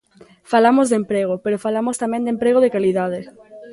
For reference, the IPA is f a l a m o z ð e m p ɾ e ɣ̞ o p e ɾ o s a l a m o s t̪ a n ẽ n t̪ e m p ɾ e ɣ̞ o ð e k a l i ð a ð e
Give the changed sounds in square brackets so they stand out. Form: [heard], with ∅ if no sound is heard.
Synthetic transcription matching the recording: f a l a m o z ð e m p ɾ e ɣ̞ o p e ɾ o [f] a l a m o s t̪ a [m] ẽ n [d̪] e m p ɾ e ɣ̞ o ð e k a l i ð a ð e